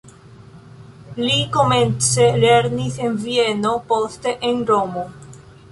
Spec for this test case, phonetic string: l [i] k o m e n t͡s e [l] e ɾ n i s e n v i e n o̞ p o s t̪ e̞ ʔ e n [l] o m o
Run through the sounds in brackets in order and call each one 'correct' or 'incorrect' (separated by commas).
correct, correct, incorrect